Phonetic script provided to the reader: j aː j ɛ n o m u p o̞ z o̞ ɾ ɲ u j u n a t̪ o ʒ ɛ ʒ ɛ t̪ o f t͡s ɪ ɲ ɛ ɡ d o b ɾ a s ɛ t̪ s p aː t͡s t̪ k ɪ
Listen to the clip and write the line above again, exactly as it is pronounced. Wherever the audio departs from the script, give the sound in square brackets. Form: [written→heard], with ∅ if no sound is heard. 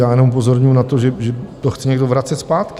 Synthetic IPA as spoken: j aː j ɛ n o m u p o̞ z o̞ ɾ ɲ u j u n a t̪ o ʒ ɛ ʒ ɛ t̪ o [f→x] t͡s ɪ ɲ ɛ ɡ d o [b→v] ɾ a [s→t͡s] ɛ t̪ s p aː [t͡s→∅] t̪ k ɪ